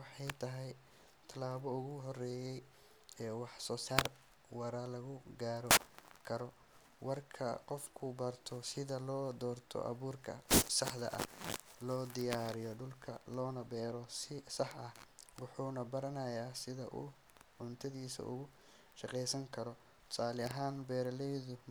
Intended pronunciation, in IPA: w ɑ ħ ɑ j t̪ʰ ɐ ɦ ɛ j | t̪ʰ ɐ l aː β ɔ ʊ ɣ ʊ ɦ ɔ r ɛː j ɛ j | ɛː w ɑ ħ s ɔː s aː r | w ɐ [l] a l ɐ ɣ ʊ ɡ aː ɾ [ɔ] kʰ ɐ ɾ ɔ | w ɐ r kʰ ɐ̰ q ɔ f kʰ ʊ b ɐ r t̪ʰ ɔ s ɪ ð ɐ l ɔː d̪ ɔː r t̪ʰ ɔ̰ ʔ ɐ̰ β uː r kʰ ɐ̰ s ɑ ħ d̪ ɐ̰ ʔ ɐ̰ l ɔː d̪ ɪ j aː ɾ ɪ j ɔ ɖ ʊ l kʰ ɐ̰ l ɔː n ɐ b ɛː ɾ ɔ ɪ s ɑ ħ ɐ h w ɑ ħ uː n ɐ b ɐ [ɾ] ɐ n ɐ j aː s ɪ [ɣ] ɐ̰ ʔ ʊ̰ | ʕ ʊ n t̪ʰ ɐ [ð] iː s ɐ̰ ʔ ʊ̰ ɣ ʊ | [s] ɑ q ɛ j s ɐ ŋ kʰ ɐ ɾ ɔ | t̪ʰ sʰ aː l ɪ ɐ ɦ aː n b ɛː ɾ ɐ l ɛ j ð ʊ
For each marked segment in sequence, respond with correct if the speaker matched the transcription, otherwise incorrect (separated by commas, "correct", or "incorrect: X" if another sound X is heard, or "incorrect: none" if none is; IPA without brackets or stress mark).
incorrect: ɾ, correct, correct, incorrect: ð, correct, incorrect: ʃ